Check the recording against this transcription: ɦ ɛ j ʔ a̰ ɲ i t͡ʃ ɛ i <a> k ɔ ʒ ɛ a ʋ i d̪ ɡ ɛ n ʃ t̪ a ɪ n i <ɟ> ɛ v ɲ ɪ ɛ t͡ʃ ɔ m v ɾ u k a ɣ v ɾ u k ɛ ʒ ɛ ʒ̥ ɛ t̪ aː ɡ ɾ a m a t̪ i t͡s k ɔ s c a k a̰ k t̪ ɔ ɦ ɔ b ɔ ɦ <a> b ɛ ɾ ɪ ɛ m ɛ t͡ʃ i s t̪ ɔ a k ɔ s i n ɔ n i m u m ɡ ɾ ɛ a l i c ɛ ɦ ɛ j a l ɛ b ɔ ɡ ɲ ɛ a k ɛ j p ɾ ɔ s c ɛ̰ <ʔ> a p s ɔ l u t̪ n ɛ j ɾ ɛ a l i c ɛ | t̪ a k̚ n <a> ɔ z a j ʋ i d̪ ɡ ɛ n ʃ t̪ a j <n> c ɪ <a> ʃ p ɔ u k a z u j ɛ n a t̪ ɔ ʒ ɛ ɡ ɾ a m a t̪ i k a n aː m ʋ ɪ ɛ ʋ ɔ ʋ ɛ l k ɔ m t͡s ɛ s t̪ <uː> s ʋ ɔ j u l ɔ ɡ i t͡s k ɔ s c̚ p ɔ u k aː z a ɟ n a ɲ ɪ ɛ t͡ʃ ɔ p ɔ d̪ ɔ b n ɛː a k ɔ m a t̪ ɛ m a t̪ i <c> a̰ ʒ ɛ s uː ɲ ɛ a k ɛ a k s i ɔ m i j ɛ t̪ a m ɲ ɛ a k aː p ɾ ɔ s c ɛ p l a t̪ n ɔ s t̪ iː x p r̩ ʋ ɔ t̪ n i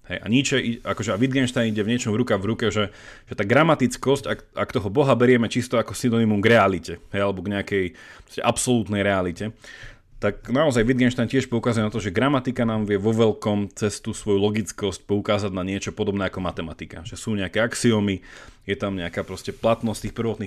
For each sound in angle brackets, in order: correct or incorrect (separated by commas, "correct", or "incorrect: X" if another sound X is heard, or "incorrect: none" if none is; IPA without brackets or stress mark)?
correct, correct, correct, correct, correct, correct, incorrect: ɛ, incorrect: u, incorrect: k